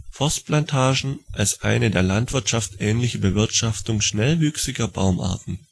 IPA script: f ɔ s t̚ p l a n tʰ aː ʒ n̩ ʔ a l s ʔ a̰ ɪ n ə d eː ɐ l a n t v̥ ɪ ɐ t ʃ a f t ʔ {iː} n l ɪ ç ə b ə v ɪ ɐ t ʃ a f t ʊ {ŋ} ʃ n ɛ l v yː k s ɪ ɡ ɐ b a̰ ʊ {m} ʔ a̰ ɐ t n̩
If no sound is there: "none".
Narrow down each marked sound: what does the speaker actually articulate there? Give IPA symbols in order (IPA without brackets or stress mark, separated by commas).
ɛː, ŋ, m